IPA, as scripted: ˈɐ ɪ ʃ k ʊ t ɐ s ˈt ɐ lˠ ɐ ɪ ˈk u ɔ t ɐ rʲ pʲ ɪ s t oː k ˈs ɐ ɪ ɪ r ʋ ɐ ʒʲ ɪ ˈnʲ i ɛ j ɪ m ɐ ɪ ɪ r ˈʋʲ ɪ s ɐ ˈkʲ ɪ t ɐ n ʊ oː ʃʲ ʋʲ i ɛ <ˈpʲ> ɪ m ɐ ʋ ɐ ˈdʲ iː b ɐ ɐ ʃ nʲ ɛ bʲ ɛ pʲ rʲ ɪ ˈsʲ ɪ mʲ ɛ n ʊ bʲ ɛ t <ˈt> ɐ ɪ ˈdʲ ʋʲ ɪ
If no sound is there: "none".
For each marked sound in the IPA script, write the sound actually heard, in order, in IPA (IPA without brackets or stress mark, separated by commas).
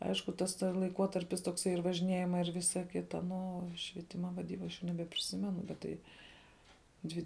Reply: tʲ, t